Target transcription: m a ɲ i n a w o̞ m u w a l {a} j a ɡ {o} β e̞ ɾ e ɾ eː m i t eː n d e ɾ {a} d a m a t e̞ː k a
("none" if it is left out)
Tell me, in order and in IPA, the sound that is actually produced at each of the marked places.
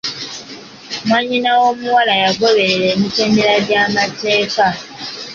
a, o, a

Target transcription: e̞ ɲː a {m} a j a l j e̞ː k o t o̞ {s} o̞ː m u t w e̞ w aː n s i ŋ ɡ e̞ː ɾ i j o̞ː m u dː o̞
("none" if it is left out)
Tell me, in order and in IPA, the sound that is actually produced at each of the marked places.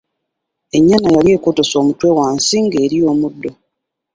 n, s

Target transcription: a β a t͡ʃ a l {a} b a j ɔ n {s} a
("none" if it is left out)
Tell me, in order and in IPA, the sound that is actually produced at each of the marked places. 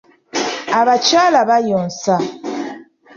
a, s

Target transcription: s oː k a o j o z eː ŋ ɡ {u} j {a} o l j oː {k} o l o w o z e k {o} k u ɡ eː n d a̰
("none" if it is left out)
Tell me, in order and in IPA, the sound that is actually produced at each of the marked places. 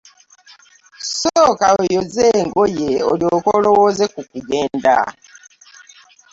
o, e, k, u

